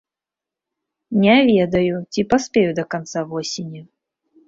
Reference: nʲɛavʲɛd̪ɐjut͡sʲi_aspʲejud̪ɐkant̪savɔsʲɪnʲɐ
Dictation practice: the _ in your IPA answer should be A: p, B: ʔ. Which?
A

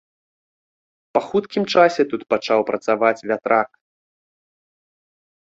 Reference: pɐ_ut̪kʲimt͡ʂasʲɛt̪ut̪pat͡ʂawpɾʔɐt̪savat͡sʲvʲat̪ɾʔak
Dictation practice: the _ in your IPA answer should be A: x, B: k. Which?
A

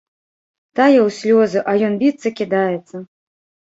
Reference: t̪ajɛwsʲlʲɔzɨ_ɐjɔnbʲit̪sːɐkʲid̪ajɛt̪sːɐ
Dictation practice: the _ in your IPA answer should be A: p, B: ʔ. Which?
B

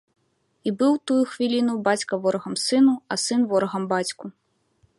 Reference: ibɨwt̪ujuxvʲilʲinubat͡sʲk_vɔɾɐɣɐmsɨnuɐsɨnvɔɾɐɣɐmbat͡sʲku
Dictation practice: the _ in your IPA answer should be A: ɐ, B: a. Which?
A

